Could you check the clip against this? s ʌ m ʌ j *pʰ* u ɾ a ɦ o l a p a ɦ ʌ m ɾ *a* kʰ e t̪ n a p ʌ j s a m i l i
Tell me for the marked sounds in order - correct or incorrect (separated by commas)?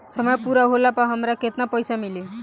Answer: incorrect, correct